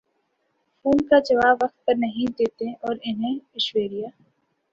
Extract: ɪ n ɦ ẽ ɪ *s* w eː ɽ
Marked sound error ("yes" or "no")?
yes